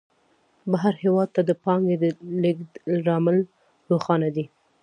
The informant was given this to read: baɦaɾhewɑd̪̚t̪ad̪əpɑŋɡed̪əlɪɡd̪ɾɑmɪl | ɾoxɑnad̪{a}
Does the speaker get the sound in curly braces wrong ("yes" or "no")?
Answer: yes